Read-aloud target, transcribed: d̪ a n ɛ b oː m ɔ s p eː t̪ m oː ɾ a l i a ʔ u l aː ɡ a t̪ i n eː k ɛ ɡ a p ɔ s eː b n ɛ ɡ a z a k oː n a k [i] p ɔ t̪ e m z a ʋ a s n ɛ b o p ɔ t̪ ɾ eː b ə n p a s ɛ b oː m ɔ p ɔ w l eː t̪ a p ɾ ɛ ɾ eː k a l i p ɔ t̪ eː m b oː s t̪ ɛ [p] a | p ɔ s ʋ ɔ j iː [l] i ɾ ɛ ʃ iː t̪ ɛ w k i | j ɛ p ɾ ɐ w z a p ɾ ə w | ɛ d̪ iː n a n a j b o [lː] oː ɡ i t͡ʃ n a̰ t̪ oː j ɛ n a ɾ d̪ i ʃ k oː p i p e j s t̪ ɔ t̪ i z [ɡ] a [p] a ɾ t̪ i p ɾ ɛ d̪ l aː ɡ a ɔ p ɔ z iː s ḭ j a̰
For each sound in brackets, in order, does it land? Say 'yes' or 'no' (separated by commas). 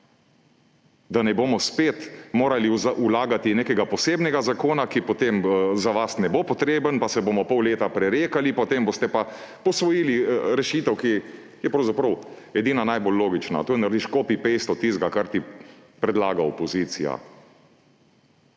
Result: yes, yes, yes, yes, yes, no